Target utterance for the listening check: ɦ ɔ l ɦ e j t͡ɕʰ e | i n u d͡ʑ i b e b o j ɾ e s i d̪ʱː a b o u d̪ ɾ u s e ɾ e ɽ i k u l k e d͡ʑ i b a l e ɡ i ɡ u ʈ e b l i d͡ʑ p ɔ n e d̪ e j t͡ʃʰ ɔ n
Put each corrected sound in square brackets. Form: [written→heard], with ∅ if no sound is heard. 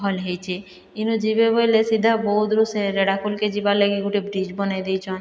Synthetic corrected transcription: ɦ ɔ l ɦ e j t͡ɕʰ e | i n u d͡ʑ i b e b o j [ɾ→l] e s i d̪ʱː a b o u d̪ ɾ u s e ɾ e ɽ [i→a] k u l k e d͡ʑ i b a l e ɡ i ɡ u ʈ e b [l→ɾ] i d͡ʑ [p→b] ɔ n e d̪ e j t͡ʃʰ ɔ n